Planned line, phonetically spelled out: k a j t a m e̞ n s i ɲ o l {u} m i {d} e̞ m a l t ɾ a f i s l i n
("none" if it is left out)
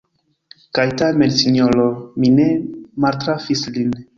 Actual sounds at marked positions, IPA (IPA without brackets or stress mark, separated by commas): o, n